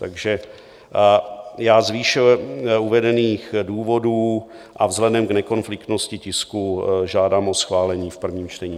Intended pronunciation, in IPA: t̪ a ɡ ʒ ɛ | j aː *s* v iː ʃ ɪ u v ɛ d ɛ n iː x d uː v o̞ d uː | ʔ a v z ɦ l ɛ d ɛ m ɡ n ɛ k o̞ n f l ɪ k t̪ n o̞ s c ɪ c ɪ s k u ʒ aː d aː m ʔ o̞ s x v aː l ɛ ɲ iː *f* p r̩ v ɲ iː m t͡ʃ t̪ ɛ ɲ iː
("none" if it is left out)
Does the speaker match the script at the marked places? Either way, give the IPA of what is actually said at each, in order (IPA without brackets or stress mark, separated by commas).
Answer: z, f